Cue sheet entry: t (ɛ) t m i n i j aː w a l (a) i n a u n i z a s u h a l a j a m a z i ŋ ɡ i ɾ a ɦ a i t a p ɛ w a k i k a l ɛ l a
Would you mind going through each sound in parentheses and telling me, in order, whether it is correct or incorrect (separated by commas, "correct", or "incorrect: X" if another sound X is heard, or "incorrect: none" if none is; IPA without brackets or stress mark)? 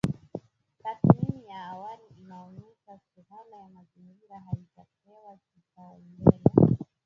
incorrect: a, incorrect: i